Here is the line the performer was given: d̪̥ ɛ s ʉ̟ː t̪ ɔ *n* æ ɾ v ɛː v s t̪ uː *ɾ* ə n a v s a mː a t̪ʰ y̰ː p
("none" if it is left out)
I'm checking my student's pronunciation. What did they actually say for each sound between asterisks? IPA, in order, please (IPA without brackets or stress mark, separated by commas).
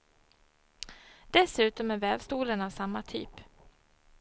m, l